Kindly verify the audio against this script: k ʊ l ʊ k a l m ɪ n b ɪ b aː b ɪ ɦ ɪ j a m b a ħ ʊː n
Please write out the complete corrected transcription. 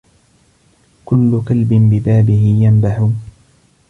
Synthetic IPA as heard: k ʊ lː ʊ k a l b ɪ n b ɪ b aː b ɪ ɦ ɪ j a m b a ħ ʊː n